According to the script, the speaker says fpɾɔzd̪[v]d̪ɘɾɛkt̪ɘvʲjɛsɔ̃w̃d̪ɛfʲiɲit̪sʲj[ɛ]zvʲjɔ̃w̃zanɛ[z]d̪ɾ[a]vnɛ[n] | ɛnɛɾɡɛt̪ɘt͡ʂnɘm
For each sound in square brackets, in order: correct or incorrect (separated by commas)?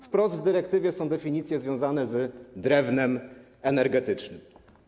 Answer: correct, correct, correct, incorrect, incorrect